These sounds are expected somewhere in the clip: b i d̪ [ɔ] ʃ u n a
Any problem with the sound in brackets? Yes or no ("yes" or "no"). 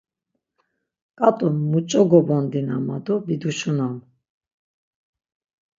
yes